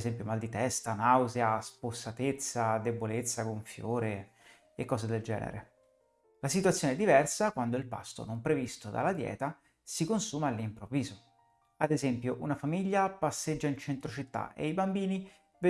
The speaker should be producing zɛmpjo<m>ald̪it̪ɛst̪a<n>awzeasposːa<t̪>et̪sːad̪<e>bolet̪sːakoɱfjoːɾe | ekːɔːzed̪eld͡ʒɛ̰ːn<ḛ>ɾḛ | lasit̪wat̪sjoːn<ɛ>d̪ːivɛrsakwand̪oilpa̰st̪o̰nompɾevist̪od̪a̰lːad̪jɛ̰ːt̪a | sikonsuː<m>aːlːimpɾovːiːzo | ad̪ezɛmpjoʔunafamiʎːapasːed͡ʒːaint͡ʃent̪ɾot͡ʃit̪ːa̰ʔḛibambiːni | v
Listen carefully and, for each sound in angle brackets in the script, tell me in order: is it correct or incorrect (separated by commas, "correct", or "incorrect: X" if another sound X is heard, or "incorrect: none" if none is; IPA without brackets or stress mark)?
correct, correct, correct, correct, correct, correct, correct